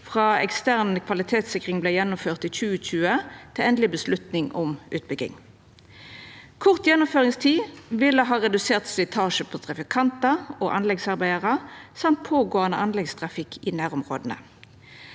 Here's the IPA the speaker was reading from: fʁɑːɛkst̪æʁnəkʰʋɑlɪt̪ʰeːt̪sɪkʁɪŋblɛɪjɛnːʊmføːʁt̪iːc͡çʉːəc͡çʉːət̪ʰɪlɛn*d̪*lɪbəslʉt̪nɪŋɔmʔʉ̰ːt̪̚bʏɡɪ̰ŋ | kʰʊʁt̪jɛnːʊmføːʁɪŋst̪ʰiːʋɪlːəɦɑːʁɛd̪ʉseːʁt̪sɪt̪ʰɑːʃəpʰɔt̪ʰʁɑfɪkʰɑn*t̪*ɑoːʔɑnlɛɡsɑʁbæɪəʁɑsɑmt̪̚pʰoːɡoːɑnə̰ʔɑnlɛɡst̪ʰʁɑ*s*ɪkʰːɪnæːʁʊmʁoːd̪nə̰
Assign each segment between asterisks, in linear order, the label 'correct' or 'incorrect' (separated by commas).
correct, correct, incorrect